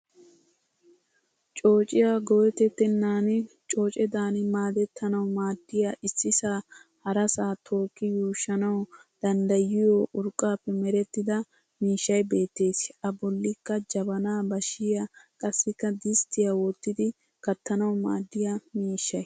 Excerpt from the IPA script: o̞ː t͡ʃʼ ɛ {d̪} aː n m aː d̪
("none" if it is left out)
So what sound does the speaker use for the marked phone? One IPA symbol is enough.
d̪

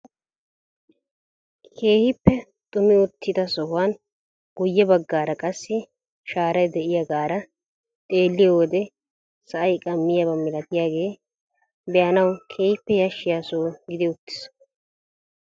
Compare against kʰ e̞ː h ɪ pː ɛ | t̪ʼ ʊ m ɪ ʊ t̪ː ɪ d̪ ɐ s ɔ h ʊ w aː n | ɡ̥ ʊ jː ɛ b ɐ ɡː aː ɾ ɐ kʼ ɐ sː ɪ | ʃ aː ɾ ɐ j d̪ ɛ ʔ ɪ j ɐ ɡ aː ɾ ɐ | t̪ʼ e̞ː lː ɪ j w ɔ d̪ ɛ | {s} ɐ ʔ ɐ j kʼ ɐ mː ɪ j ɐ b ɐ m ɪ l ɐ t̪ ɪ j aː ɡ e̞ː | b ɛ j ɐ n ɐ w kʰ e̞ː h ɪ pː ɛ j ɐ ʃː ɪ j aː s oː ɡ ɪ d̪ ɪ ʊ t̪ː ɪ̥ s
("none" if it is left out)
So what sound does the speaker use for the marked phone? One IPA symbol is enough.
s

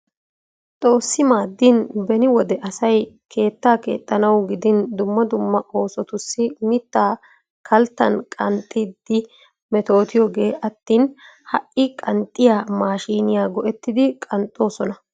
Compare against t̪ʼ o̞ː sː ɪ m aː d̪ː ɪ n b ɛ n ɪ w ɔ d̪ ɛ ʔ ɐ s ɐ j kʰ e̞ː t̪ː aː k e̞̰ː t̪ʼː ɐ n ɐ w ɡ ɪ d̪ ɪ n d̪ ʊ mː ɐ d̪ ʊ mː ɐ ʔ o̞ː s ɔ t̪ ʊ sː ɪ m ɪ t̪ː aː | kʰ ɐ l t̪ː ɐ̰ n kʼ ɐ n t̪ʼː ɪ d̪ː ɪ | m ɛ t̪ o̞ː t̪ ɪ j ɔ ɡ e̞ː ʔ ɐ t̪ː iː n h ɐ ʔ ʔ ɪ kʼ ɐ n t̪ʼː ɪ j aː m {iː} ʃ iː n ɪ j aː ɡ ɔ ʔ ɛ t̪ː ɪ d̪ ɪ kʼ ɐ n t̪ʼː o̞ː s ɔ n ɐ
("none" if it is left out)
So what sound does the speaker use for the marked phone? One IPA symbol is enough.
aː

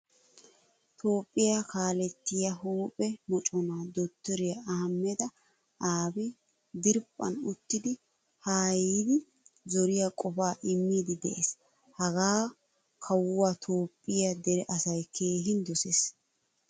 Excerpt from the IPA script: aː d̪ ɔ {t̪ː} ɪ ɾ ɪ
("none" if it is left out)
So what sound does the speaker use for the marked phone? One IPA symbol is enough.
t̪ː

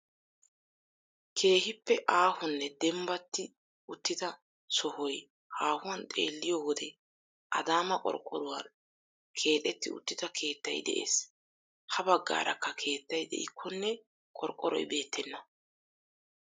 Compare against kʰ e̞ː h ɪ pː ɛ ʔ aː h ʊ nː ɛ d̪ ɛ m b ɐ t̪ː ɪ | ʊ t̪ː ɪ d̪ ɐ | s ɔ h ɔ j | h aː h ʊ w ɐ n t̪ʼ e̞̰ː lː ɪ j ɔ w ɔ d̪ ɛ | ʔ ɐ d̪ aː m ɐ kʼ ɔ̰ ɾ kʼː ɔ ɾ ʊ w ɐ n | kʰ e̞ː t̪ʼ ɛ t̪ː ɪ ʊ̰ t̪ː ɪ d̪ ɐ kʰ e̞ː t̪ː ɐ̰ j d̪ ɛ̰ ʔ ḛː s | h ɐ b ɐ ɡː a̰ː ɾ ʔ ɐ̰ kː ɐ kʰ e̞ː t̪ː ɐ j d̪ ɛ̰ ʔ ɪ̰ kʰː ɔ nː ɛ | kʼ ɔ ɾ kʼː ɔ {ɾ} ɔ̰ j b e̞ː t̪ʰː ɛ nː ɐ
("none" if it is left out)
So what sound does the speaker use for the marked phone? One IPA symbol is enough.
ɾ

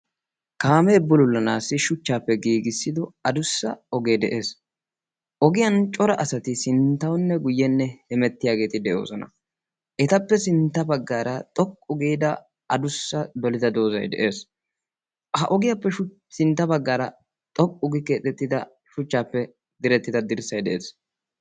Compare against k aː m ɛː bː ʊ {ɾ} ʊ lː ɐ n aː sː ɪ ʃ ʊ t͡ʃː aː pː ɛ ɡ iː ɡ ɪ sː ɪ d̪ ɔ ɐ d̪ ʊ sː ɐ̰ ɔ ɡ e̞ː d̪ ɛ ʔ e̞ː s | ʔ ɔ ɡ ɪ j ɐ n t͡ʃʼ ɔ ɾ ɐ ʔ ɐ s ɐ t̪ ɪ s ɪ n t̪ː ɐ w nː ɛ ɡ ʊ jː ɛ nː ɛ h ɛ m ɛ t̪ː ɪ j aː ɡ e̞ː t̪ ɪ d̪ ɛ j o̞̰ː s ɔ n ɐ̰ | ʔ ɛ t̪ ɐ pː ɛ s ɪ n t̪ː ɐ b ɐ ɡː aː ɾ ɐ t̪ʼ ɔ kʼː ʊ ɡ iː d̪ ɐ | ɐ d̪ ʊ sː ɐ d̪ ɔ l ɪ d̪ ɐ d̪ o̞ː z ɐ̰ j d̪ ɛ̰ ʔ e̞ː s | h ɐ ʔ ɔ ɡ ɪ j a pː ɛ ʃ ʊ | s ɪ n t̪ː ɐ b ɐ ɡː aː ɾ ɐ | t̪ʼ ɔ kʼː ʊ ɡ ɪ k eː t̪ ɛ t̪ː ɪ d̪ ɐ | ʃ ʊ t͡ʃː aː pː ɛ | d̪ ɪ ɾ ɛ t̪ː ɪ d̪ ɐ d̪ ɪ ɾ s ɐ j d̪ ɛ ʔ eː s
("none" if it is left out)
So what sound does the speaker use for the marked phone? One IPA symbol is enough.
l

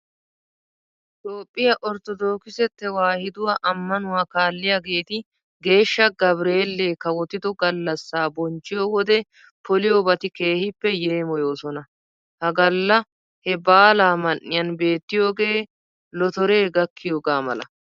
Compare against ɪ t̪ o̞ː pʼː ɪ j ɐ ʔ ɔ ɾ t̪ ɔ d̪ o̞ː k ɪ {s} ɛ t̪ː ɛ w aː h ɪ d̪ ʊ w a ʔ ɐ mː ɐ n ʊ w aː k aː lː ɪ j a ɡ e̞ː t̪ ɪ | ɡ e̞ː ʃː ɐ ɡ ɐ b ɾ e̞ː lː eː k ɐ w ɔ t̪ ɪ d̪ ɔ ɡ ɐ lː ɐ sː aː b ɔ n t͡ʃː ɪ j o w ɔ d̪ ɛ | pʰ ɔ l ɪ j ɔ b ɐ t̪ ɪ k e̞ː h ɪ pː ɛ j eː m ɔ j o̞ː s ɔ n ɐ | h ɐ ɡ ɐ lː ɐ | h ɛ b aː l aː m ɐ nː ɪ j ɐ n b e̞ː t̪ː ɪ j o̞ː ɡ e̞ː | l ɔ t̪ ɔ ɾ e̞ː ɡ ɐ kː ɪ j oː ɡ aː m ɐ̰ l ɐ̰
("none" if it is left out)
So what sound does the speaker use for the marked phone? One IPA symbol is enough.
s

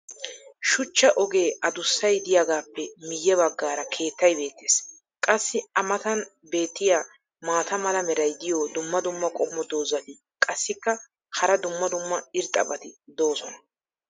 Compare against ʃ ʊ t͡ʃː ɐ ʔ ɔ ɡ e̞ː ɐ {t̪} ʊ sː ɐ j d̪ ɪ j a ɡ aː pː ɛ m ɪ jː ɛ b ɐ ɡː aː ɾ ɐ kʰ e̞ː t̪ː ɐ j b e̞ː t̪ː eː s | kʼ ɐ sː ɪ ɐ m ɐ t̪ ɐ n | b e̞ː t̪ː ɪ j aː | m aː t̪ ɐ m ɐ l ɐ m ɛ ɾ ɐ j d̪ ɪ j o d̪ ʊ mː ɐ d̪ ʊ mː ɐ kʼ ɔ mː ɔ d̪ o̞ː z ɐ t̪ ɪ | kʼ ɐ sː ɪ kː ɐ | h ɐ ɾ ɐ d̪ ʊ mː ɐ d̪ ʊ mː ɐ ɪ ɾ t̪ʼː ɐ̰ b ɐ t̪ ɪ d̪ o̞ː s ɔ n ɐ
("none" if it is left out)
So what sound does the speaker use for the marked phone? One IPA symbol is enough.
d̪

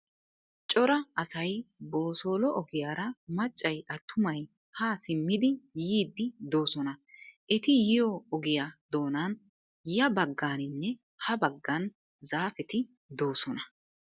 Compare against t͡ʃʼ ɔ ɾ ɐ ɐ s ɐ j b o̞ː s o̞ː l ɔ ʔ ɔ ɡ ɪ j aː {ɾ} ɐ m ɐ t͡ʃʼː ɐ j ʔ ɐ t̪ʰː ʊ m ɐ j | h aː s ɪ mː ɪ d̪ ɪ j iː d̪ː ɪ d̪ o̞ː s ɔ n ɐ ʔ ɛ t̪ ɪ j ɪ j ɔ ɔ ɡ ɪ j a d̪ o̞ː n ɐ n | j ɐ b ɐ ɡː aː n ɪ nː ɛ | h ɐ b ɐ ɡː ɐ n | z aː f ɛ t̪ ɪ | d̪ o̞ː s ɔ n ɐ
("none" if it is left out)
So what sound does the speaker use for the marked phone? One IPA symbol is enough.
ɾ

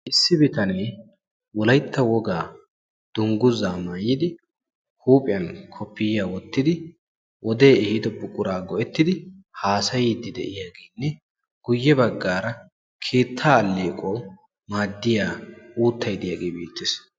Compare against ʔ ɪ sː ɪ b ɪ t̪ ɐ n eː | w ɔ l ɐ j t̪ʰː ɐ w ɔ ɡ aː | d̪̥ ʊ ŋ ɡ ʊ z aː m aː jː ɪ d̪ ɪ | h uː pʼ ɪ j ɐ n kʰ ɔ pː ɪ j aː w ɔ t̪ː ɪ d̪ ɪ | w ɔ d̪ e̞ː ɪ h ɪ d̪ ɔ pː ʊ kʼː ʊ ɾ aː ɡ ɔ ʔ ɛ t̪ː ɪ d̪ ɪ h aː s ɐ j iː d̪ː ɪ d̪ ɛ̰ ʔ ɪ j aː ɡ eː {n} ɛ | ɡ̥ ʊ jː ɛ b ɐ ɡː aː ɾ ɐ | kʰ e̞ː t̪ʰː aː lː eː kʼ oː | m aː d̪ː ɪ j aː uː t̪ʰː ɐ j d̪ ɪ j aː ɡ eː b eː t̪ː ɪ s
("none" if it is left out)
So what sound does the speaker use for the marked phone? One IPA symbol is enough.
nː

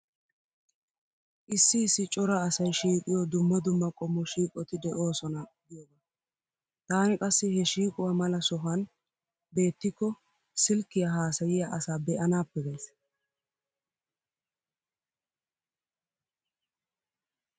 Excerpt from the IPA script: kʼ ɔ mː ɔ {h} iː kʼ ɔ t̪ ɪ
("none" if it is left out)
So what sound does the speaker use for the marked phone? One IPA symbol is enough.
ʃ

